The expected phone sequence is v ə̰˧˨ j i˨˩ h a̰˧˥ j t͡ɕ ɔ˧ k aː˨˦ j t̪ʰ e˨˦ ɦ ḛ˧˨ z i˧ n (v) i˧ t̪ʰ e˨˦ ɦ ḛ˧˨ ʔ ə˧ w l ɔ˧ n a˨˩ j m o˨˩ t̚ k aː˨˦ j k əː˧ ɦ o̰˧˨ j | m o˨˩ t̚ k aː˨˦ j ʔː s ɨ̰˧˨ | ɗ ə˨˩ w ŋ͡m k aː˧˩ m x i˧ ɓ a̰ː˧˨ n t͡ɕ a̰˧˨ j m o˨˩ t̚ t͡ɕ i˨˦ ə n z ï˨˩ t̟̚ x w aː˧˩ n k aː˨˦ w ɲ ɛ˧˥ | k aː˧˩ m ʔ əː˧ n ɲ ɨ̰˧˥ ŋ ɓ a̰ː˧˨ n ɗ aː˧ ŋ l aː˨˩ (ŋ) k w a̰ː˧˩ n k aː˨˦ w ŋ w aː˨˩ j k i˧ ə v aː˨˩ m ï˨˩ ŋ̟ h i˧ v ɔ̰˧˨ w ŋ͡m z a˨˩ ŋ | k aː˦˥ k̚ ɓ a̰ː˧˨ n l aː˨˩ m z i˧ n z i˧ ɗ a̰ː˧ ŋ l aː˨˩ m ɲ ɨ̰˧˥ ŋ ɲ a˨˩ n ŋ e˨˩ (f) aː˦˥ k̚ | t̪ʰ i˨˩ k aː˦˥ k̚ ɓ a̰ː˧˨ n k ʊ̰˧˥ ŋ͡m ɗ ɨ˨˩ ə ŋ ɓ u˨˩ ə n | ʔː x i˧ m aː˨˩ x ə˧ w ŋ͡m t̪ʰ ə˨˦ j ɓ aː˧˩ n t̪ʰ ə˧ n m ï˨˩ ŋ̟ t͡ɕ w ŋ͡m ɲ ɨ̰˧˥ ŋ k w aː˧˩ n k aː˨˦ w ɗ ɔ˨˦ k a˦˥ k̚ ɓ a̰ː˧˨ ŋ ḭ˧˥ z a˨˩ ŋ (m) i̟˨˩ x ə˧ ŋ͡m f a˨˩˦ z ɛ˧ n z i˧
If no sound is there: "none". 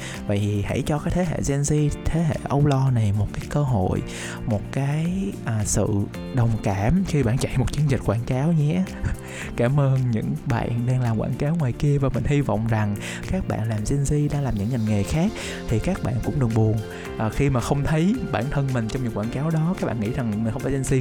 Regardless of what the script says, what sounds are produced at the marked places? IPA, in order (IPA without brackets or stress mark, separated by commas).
z, m, x, m